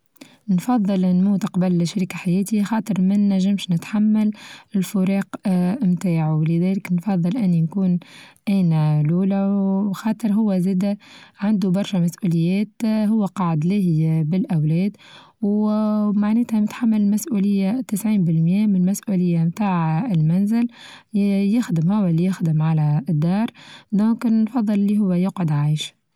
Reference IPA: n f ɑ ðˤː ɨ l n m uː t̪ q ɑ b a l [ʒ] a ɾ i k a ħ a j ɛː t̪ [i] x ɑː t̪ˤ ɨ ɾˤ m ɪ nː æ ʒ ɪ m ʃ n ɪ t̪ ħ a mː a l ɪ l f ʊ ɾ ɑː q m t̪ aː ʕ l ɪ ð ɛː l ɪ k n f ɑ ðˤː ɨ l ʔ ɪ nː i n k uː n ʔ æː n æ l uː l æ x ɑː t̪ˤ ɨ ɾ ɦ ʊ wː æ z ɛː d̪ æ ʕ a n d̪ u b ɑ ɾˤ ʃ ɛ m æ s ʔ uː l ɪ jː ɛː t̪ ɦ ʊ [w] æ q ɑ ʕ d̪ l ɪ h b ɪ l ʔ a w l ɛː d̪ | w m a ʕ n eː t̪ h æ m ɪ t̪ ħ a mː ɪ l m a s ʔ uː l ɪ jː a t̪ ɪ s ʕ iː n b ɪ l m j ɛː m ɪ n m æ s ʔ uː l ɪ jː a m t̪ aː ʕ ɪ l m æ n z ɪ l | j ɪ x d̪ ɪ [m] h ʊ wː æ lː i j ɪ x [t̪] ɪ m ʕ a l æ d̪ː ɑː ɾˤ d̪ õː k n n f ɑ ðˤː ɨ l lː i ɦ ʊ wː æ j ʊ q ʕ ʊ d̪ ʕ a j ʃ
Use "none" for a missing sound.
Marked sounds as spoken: ʃ, i, wː, m, d̪

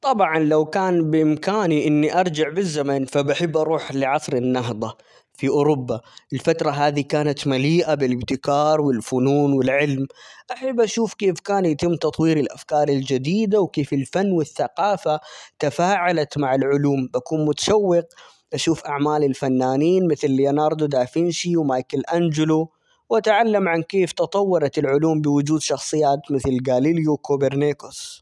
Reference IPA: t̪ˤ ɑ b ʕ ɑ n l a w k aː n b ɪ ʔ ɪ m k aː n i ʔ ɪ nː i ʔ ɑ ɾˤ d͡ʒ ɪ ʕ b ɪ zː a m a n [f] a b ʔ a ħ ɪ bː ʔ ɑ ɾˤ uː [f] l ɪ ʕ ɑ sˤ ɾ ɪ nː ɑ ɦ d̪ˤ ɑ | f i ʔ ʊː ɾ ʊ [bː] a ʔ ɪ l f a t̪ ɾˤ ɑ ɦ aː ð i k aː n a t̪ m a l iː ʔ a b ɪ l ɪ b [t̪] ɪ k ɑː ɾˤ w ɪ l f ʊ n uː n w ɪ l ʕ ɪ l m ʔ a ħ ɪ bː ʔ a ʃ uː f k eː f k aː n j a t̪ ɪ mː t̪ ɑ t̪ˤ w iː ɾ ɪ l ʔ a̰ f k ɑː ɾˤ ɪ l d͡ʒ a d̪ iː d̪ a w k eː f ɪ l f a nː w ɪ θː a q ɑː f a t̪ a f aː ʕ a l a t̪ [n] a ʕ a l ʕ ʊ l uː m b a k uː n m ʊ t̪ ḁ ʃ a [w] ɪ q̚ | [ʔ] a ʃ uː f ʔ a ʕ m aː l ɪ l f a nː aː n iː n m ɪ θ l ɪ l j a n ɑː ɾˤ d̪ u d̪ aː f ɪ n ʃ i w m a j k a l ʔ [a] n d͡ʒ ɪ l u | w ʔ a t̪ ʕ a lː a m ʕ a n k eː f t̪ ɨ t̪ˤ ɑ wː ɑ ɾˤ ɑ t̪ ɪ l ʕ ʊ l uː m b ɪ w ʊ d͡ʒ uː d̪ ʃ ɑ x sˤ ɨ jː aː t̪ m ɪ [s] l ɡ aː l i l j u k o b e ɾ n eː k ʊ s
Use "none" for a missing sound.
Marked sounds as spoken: f, ħ, bː, t̪, m, wː, ʔ, a, θ

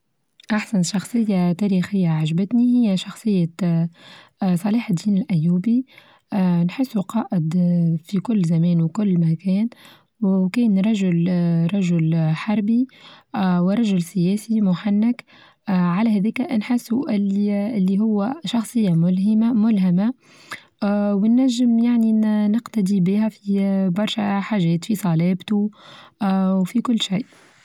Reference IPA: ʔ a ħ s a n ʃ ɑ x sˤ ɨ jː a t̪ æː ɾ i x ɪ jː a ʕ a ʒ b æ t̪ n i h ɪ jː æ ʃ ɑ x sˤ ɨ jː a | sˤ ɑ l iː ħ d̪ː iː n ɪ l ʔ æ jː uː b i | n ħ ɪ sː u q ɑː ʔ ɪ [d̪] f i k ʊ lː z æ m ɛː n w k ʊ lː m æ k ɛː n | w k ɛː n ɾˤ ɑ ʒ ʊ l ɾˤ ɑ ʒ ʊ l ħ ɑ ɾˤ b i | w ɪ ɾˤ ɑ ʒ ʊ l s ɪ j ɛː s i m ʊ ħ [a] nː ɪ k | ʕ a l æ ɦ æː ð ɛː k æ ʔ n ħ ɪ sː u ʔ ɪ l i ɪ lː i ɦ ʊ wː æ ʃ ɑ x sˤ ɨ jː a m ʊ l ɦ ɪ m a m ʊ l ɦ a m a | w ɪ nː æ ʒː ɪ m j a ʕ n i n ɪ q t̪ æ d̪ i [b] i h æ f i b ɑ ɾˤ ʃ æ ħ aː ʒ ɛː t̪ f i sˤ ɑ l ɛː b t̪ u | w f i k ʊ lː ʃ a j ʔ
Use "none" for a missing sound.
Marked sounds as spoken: d̪, a, b

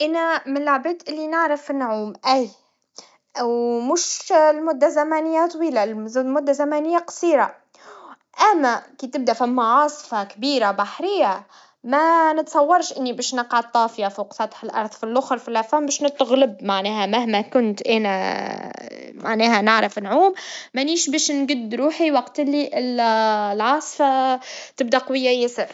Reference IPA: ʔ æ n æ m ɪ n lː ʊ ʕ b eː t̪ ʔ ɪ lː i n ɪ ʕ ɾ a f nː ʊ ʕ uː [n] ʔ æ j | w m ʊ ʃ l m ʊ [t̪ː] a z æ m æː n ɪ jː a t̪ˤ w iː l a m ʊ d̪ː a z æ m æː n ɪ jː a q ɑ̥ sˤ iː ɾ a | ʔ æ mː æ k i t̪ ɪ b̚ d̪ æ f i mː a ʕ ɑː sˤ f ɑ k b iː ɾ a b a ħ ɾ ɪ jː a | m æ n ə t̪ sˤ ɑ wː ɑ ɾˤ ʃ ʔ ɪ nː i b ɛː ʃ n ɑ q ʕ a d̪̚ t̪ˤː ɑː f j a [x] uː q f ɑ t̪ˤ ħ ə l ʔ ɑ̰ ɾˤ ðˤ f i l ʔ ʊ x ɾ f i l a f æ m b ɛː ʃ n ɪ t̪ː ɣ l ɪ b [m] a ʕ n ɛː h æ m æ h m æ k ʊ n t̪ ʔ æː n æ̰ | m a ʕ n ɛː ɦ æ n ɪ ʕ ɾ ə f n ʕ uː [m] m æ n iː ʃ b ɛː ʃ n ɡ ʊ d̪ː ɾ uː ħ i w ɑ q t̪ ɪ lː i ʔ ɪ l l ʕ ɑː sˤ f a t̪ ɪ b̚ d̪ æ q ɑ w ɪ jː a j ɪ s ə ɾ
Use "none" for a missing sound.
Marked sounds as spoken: m, d̪ː, f, m, m

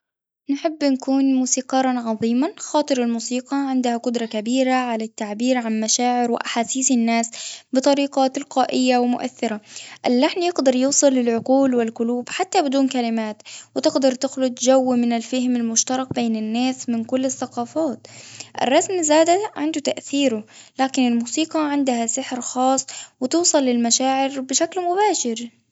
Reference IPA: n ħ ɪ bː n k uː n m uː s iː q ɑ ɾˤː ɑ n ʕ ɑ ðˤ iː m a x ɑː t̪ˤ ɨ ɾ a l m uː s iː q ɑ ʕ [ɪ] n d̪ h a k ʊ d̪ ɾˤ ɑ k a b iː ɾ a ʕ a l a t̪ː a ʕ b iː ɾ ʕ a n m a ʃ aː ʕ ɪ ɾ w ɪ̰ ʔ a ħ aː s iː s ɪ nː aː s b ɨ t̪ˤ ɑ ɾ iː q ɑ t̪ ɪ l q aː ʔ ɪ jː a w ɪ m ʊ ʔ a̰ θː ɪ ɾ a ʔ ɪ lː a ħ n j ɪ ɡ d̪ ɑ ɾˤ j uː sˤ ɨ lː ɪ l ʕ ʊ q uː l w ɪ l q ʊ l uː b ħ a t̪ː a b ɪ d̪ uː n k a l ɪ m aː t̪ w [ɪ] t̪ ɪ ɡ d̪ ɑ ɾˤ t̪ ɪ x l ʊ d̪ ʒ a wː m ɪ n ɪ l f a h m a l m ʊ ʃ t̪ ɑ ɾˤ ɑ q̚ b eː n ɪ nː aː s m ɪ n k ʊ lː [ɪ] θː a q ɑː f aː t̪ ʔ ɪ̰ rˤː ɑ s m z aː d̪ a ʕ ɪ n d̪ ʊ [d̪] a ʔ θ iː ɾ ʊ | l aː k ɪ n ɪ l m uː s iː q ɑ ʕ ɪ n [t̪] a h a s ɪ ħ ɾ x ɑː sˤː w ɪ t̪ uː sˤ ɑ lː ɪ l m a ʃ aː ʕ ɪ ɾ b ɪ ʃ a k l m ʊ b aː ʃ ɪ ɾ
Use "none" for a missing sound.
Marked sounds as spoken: ɪ, ɪ, ɪ, t̪, d̪

